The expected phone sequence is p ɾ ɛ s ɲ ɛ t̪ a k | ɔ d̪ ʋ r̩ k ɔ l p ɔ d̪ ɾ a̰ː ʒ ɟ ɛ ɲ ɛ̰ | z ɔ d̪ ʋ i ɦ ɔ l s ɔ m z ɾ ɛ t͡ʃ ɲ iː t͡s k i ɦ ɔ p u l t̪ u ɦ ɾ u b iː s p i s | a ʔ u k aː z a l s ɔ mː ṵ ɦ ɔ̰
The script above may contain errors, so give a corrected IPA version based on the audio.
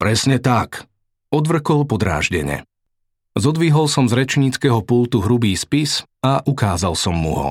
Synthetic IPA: p ɾ ɛ s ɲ ɛ t̪ a k | ɔ d̪ ʋ r̩ k ɔ l p ɔ d̪ ɾ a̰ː ʒ ɟ ɛ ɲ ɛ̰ | z ɔ d̪ ʋ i ɦ ɔ l s ɔ m z ɾ ɛ t͡ʃ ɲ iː t͡s k ɛ ɦ ɔ p u l t̪ u ɦ ɾ u b iː s p i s | a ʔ u k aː z a l s ɔ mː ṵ ɦ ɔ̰